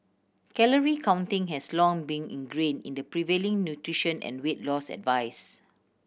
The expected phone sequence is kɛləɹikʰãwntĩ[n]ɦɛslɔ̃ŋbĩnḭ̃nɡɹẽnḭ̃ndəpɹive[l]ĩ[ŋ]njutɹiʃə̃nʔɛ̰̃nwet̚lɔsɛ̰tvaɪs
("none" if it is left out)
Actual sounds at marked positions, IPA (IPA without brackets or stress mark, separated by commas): ŋ, l, ŋ